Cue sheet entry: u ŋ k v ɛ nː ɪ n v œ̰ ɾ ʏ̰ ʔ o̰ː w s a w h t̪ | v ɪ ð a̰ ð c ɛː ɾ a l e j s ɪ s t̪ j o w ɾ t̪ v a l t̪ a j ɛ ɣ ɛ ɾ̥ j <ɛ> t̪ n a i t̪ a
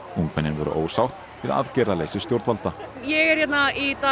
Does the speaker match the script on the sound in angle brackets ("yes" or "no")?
yes